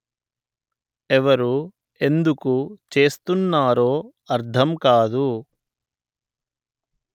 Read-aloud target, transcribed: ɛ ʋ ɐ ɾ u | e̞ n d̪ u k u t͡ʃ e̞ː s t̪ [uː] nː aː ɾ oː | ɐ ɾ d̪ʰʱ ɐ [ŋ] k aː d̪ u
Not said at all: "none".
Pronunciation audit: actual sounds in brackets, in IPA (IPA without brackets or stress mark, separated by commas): u, m